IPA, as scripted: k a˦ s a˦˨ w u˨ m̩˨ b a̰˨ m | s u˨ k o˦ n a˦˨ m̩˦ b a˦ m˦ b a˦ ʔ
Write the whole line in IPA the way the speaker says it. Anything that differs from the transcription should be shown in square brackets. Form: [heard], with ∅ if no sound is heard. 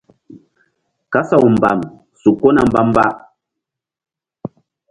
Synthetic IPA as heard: k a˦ s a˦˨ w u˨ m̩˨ b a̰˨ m | s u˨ k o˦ n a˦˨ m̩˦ b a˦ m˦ b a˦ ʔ